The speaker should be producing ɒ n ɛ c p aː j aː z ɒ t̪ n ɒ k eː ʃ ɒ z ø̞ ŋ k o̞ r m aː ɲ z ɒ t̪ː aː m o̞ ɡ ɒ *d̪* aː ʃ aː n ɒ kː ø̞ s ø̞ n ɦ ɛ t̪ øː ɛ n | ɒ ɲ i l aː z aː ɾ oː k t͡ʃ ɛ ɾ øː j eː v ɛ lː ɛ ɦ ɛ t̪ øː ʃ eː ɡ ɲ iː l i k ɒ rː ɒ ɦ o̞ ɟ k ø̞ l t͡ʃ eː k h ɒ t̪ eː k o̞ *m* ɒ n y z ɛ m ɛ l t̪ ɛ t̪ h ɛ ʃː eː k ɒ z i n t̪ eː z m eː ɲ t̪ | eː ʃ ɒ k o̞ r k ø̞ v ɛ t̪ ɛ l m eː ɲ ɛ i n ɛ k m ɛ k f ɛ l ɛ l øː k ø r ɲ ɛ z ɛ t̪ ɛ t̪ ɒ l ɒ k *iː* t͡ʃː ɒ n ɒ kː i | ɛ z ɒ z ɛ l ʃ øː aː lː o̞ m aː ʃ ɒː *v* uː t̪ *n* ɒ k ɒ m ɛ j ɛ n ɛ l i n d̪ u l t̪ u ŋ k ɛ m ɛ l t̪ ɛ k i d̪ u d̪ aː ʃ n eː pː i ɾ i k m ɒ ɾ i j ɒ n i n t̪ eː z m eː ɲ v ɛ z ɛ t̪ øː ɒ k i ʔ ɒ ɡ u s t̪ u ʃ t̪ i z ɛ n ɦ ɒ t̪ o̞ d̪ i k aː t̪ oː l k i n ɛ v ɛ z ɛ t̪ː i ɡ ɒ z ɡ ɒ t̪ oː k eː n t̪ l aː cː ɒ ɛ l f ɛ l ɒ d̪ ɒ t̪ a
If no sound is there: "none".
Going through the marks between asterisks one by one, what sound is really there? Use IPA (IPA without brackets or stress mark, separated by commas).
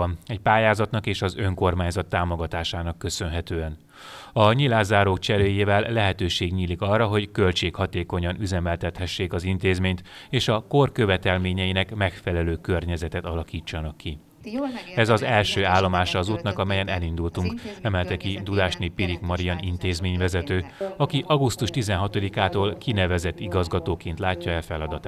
t̪, ɲ, iː, z, n